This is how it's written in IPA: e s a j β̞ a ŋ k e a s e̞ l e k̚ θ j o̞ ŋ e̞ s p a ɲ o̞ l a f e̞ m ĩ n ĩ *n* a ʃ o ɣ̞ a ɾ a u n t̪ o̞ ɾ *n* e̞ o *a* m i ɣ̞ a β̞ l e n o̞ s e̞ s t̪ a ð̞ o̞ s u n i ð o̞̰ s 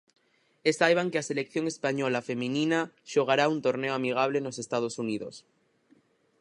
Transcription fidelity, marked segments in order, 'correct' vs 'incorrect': correct, correct, correct

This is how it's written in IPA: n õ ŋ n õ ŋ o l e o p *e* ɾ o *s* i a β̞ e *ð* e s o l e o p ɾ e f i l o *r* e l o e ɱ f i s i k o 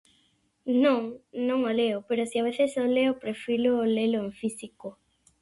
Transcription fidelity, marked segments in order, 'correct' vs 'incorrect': correct, correct, incorrect, incorrect

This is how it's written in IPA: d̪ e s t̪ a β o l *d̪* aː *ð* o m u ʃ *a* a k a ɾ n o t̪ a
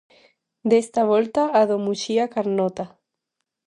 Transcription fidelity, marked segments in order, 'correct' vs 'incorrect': incorrect, correct, incorrect

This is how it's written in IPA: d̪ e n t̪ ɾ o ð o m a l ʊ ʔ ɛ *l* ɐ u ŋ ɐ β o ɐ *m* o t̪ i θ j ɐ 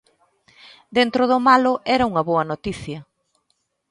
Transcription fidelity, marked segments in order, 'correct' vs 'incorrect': incorrect, incorrect

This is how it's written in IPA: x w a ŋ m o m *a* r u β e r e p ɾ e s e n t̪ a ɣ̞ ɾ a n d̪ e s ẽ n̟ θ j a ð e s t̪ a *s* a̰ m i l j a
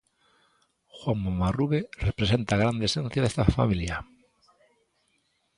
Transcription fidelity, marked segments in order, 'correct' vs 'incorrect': correct, incorrect

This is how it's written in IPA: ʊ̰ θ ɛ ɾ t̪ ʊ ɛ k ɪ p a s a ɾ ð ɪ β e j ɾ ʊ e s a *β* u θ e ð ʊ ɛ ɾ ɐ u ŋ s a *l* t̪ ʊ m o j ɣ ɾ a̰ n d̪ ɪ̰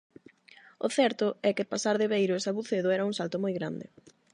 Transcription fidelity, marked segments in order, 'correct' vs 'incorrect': correct, correct

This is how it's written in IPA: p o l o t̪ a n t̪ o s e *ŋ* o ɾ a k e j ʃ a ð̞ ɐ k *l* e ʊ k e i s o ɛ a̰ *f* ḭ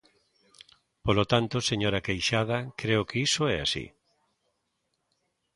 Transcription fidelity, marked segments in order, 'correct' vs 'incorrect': incorrect, incorrect, incorrect

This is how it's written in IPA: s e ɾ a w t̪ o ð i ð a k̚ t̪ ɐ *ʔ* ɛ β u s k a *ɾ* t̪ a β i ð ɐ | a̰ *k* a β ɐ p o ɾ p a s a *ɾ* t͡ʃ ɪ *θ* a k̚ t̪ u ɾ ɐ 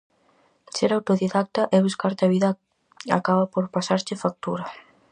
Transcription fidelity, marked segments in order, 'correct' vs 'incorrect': correct, correct, correct, correct, incorrect

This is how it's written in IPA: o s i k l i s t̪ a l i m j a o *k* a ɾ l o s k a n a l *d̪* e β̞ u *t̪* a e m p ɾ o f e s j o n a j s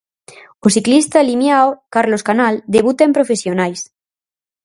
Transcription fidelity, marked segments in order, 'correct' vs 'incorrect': correct, correct, correct

